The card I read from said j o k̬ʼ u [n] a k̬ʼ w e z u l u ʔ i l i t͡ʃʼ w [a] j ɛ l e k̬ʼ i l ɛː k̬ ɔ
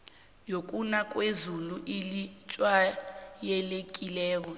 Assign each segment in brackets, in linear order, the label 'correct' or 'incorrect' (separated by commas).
correct, correct